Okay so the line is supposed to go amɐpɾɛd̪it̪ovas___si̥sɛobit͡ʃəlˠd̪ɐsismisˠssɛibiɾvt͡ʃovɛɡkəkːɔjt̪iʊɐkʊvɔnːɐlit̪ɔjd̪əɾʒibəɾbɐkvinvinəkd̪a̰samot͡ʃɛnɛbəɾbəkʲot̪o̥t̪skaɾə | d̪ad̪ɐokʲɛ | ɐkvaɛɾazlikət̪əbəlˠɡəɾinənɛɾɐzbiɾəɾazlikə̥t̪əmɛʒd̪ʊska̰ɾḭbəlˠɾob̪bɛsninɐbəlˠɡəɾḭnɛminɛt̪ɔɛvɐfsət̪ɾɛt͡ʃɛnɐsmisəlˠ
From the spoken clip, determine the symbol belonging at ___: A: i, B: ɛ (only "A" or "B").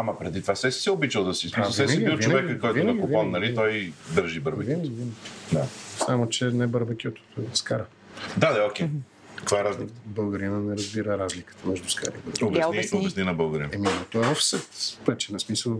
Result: B